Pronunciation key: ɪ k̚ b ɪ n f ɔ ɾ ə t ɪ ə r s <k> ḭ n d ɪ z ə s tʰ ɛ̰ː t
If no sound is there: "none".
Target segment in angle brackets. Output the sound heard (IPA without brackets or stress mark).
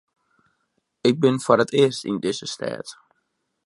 t